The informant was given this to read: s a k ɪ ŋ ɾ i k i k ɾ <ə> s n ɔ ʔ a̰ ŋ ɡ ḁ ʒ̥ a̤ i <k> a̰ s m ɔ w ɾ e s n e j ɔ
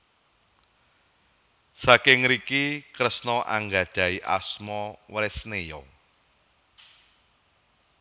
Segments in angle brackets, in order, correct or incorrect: correct, incorrect

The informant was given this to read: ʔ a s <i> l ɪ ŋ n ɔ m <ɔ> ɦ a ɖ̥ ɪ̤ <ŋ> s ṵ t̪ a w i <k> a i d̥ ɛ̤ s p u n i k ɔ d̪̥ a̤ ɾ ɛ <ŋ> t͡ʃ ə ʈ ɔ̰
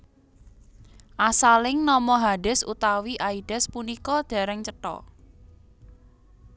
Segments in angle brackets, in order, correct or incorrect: incorrect, correct, incorrect, incorrect, correct

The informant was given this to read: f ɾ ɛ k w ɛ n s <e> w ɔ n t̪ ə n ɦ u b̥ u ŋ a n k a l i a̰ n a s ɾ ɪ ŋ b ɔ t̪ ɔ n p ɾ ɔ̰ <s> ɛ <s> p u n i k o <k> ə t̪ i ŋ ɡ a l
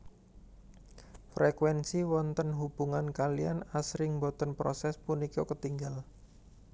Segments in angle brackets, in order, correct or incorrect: incorrect, correct, correct, correct

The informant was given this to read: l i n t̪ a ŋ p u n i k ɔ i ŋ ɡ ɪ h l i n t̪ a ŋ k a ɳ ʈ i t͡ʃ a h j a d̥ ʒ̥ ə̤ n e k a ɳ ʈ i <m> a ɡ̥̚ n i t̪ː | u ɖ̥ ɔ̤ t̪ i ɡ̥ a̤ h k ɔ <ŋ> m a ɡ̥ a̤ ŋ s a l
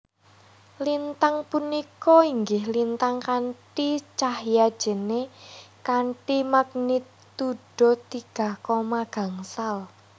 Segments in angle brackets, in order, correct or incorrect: correct, incorrect

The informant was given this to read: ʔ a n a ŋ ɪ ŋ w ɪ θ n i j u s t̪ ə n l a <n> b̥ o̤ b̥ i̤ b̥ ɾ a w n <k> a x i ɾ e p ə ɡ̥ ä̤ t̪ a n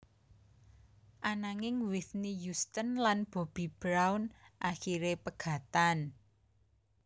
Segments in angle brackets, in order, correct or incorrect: correct, incorrect

